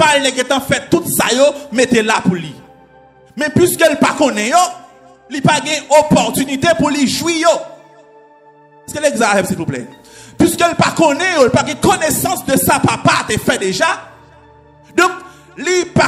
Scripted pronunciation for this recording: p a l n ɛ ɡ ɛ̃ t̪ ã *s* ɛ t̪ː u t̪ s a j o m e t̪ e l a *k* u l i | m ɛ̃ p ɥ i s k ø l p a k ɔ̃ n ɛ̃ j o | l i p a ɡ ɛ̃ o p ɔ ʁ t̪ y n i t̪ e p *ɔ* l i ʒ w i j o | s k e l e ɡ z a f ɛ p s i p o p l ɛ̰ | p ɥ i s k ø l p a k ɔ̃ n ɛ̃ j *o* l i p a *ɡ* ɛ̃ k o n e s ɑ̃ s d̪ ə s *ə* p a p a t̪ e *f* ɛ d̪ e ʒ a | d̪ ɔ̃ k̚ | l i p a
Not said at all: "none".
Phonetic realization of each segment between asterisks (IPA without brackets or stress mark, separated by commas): f, p, u, o, ɡ, a, f